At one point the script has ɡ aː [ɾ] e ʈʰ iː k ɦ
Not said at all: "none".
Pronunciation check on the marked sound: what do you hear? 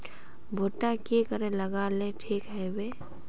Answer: l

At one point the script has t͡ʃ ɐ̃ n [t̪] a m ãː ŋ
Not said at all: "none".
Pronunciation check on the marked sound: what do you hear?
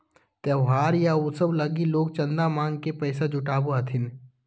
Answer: d̪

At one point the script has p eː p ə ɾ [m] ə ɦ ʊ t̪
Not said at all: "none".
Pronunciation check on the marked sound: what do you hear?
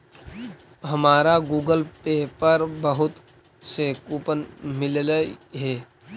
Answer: b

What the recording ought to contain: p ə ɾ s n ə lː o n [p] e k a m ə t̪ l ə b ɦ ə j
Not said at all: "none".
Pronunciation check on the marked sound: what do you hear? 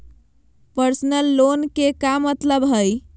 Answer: k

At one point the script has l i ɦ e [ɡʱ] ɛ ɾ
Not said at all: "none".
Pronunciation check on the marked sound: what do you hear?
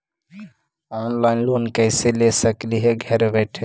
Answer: ɡʱ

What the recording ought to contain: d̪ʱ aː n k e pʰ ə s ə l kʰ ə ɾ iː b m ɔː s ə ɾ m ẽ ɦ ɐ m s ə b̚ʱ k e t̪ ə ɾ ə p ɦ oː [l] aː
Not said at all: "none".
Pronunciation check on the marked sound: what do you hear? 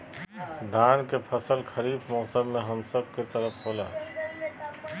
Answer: l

